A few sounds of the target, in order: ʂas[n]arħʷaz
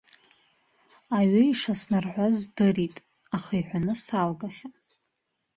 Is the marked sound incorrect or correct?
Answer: correct